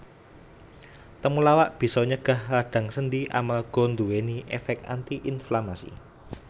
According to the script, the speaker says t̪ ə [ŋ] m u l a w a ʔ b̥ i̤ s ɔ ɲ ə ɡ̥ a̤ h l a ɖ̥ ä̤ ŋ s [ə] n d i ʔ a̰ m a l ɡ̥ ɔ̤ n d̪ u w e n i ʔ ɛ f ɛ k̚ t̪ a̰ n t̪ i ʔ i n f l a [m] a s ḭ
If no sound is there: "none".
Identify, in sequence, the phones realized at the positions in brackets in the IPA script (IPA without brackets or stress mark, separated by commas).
none, ə, m